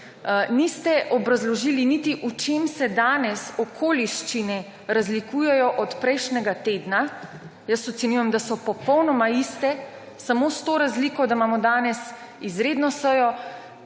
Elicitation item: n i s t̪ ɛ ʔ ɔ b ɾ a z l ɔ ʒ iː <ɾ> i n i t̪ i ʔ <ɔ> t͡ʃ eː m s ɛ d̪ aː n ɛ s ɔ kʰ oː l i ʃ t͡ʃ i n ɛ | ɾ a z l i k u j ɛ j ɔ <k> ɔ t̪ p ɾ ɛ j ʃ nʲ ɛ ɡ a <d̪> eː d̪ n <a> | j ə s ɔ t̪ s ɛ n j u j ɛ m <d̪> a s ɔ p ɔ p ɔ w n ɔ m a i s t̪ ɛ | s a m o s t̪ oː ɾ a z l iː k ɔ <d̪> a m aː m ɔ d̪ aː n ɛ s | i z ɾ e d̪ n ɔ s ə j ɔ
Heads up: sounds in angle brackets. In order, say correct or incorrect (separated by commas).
incorrect, incorrect, incorrect, incorrect, correct, correct, correct